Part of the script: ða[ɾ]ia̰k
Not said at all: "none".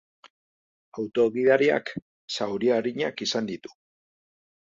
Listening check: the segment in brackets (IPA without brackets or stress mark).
ɾ